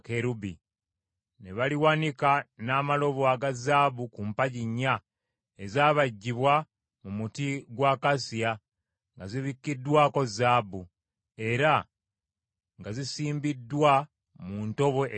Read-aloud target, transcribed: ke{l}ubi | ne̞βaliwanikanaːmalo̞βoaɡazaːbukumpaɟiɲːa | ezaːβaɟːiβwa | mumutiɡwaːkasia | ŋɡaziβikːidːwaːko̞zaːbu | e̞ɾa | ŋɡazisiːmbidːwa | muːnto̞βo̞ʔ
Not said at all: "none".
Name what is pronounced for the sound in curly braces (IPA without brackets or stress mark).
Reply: ɾ